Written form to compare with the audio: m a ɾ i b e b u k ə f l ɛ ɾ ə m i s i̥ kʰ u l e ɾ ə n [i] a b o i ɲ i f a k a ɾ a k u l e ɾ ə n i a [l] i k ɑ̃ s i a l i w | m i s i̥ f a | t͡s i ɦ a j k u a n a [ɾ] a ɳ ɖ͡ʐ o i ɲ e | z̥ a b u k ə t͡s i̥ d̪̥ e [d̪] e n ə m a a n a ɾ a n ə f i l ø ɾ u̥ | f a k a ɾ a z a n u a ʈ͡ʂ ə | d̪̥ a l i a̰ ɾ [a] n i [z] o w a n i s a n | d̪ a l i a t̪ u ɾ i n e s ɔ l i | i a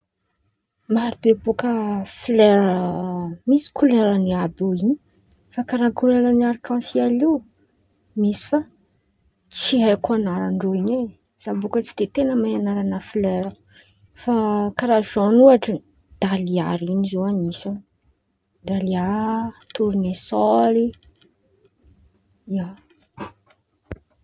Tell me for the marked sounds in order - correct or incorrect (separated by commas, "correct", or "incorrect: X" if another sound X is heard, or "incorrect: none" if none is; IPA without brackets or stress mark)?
correct, incorrect: ɾ, correct, incorrect: t̪, incorrect: i, correct